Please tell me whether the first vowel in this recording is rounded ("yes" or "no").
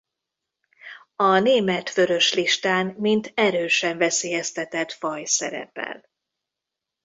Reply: yes